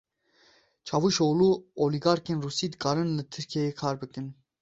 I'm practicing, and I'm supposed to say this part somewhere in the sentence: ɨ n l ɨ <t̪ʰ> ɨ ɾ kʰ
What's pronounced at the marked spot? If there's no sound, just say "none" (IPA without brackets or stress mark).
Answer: t̪ʰ